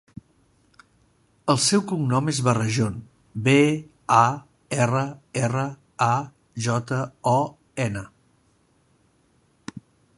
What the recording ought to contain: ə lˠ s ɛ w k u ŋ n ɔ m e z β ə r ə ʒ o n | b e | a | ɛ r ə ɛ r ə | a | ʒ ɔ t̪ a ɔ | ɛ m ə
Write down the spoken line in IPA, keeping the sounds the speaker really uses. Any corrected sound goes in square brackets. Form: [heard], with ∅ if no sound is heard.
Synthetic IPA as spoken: ə lˠ s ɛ w k u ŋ n ɔ m e z β ə r ə ʒ o n | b e | a | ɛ r ə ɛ r ə | a | ʒ ɔ t̪ [ə] ɔ | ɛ [n] ə